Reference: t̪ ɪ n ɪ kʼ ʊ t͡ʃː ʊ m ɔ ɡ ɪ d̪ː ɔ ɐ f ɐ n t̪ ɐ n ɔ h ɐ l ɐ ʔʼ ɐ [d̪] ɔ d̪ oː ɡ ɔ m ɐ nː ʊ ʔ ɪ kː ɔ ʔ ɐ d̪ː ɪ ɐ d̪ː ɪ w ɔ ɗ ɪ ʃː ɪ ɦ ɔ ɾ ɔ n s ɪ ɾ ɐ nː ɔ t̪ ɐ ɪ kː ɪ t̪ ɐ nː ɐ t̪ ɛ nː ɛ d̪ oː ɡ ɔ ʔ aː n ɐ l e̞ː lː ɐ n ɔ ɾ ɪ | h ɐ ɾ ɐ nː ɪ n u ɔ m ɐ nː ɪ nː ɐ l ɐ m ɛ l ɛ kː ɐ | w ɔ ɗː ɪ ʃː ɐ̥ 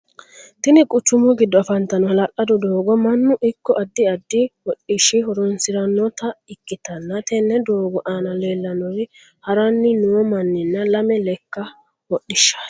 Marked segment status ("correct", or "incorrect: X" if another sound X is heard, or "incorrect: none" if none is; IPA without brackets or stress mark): correct